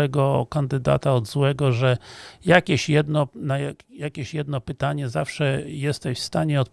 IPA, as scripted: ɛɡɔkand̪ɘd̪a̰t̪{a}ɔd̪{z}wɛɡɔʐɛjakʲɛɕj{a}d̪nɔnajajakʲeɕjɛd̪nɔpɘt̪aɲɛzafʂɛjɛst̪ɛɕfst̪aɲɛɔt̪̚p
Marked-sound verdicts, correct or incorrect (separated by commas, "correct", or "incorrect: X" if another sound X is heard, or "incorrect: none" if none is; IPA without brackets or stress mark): correct, correct, incorrect: ɛ